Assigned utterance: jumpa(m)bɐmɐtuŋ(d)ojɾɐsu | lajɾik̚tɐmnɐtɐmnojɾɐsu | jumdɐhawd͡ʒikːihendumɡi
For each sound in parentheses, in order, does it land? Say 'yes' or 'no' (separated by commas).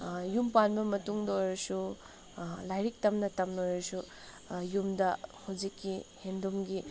no, yes